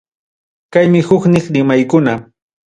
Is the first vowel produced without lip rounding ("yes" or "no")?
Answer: yes